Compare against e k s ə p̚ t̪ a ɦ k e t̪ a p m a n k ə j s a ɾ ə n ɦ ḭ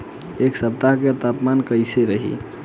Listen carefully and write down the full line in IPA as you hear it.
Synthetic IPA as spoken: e k s ə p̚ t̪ a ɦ k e t̪ a p m a n k ə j s e ɾ ə ɦ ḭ